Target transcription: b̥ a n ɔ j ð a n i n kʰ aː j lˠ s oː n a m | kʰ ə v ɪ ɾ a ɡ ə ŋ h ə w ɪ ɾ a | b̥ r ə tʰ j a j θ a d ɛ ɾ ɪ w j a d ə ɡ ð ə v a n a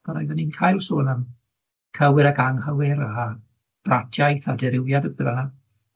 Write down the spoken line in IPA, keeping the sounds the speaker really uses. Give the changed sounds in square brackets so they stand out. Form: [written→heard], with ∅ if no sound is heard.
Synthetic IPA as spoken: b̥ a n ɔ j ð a n i n kʰ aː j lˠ s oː n a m | kʰ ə [v→w] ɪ ɾ a ɡ [ə→a] ŋ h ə w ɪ ɾ a | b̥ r [ə→a] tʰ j a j θ a d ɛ ɾ ɪ w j a d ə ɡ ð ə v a n a